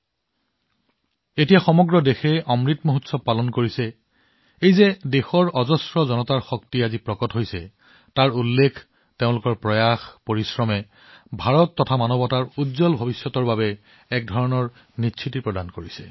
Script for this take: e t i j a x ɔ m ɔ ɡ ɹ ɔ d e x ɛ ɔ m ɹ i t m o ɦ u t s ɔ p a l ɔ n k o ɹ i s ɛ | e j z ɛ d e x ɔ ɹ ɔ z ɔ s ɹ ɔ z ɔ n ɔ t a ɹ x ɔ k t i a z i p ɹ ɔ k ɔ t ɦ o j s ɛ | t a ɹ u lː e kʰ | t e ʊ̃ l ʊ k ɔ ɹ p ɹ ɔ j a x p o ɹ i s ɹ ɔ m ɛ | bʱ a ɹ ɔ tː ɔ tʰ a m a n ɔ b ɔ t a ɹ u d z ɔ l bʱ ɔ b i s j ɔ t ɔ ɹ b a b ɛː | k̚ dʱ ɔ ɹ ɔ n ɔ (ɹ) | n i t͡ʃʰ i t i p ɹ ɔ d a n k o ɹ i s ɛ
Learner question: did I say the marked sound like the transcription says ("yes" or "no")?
yes